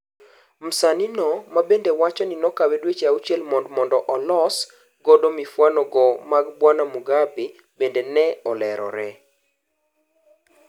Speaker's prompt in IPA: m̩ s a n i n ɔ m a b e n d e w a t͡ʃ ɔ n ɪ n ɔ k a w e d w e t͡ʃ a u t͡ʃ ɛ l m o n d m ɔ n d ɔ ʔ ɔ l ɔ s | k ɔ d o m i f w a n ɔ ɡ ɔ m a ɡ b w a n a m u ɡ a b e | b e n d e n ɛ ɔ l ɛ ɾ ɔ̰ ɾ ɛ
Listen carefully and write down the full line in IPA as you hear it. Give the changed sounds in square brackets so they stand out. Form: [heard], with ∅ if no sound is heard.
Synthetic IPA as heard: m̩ s a n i n ɔ m a b e n d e w a t͡ʃ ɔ n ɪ n ɔ k a w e d w e t͡ʃ a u t͡ʃ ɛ l m [ɔ] n d m ɔ n d ɔ ʔ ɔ l ɔ s | [ɡ] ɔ d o m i f w a n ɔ ɡ ɔ m a ɡ b w a n a m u ɡ a b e | b e n d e n ɛ ɔ l ɛ ɾ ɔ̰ ɾ ɛ